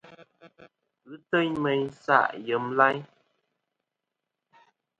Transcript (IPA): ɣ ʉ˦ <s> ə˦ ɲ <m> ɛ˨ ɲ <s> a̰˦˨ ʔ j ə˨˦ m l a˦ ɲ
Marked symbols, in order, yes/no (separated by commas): no, yes, yes